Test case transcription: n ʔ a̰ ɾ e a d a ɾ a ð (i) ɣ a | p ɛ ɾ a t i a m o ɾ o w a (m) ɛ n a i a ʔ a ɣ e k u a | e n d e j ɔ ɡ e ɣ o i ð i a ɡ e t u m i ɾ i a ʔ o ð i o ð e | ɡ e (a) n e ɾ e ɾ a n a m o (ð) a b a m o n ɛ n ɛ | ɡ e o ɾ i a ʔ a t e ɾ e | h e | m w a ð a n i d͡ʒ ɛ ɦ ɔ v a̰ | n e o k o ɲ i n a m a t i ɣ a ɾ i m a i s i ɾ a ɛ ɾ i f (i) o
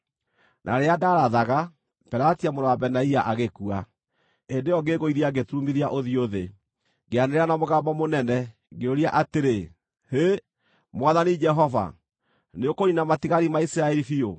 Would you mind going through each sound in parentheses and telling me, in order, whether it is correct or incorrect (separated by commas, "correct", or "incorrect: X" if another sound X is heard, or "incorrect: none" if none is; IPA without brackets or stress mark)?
incorrect: a, incorrect: b, correct, incorrect: ɣ, correct